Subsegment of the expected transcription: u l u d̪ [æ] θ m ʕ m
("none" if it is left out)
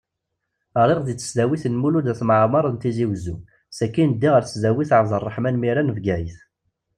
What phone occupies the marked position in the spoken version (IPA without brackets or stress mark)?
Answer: æ